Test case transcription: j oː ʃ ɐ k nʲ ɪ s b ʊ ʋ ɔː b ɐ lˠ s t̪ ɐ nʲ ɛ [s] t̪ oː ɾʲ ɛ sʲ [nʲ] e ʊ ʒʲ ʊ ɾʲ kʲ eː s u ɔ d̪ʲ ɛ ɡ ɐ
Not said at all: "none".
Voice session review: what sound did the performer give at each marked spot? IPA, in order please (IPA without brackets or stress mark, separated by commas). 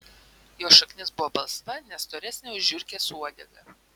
s, nʲ